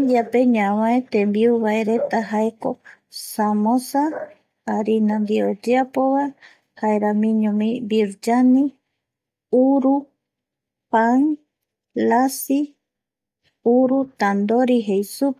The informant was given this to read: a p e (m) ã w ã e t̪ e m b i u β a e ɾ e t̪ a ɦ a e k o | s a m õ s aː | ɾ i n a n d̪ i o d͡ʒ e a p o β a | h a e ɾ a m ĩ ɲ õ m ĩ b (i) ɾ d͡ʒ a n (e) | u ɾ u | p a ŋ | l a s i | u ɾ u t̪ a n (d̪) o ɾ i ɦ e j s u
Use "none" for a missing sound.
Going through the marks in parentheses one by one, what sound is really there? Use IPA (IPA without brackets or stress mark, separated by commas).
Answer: ɲ, i, i, d̪